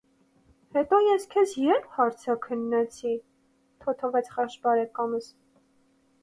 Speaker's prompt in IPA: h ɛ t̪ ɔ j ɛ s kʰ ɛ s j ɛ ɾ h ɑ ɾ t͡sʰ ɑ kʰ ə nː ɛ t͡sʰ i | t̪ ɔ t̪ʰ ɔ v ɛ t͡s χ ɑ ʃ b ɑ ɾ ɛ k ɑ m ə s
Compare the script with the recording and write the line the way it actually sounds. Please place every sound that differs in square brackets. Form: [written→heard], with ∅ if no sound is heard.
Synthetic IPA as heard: h ɛ t̪ ɔ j ɛ s kʰ ɛ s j ɛ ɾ h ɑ ɾ t͡sʰ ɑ kʰ ə nː ɛ t͡sʰ i | [t̪→t̪ʰ] ɔ t̪ʰ ɔ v ɛ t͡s χ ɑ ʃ b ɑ ɾ ɛ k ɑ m ə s

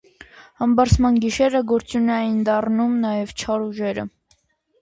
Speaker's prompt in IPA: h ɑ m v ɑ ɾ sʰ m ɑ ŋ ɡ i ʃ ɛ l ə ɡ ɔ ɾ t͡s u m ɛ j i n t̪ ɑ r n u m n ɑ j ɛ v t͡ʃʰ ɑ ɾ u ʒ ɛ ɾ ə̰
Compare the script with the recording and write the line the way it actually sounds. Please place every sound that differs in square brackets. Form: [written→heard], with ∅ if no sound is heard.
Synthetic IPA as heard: h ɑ m [v→b] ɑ ɾ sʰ m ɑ [ŋ→n] ɡ i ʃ ɛ [l→ɾ] ə ɡ ɔ ɾ t͡s u [m→n] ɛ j i n [t̪→d̪] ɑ r n u m n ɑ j ɛ v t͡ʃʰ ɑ ɾ u ʒ ɛ ɾ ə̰

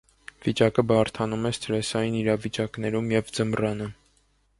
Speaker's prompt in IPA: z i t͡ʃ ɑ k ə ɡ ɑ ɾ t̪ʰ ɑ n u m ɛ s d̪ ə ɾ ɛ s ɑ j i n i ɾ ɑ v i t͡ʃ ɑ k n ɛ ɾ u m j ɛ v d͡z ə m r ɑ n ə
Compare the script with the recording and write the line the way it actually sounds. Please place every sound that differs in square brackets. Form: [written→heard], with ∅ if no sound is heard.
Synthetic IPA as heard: [z→v] i t͡ʃ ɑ k ə [ɡ→b] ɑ ɾ t̪ʰ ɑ n u m ɛ s [d̪→t̪] ə ɾ ɛ s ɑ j i n i ɾ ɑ v i t͡ʃ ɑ k n ɛ ɾ u m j ɛ v d͡z ə m r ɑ n ə

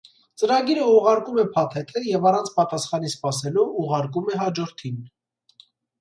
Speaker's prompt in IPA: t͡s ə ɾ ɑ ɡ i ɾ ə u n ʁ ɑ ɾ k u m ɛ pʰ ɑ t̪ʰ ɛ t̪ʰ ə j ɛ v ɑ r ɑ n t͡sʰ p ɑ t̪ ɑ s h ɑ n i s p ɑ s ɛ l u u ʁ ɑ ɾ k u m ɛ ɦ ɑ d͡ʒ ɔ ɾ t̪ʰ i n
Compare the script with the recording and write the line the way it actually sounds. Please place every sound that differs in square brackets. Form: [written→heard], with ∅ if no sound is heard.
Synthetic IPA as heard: t͡s ə ɾ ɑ ɡ i ɾ ə u [n→∅] ʁ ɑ ɾ k u m ɛ pʰ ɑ t̪ʰ ɛ t̪ʰ ə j ɛ v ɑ r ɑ n t͡sʰ p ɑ t̪ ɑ s [h→χ] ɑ n i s p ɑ s ɛ l u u ʁ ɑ ɾ k u m ɛ ɦ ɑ d͡ʒ ɔ ɾ t̪ʰ i n

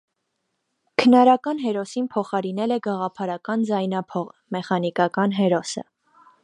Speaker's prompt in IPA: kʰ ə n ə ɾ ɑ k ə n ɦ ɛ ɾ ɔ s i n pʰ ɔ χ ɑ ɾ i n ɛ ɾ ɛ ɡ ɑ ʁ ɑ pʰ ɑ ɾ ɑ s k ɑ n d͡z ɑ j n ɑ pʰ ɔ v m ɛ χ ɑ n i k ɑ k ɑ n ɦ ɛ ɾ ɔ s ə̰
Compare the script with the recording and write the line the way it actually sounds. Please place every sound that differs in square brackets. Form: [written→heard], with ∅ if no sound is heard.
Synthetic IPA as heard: kʰ ə n [ə→ɑ] ɾ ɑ k [ə→ɑ] n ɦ ɛ ɾ ɔ s i n pʰ ɔ χ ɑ ɾ i n ɛ [ɾ→l] ɛ ɡ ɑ ʁ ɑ pʰ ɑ ɾ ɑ [s→∅] k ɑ n d͡z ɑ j n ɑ pʰ ɔ [v→ʁ] m ɛ χ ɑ n i k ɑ k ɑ n ɦ ɛ ɾ ɔ s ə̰

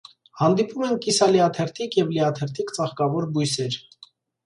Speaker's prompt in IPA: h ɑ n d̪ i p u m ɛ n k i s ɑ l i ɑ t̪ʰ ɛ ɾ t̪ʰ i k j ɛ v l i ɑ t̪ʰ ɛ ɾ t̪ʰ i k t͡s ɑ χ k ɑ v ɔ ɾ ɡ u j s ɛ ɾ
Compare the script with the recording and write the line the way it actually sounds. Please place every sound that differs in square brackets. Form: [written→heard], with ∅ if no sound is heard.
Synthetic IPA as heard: h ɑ n d̪ i p u m ɛ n k i s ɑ l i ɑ t̪ʰ ɛ ɾ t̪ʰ i k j ɛ v l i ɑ t̪ʰ ɛ ɾ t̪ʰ i k t͡s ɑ χ k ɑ v ɔ ɾ [ɡ→b] u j s ɛ ɾ

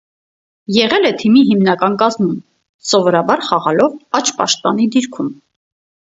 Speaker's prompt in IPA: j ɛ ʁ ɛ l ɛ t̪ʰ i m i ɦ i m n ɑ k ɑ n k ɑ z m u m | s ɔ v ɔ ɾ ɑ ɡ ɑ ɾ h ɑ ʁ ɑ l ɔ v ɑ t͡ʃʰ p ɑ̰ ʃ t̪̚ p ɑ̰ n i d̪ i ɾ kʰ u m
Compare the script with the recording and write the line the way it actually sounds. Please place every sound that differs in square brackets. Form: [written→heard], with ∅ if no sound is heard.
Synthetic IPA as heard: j ɛ ʁ ɛ l ɛ t̪ʰ i m i ɦ i m n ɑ k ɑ n k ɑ z m u m | s ɔ v ɔ ɾ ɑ [ɡ→b] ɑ ɾ [h→χ] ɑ ʁ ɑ l ɔ v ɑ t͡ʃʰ p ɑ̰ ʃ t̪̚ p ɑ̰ n i d̪ i ɾ kʰ u m

